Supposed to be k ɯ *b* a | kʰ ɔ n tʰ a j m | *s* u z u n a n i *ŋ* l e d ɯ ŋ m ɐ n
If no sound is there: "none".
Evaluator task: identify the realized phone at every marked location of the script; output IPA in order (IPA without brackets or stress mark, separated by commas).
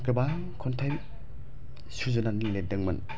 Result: b, s, ŋ